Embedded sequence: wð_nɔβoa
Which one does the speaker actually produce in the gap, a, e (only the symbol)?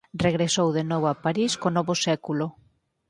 e